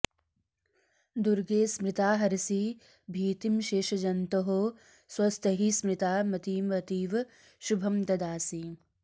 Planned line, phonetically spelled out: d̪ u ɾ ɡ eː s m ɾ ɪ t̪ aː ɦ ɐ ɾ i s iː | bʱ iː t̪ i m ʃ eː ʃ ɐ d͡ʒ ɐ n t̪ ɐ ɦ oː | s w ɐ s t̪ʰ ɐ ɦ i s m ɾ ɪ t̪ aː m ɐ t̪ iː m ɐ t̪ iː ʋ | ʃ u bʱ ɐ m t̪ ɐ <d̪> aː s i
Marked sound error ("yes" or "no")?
no